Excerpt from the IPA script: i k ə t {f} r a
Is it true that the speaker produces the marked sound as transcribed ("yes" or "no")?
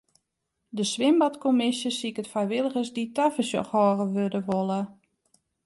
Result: yes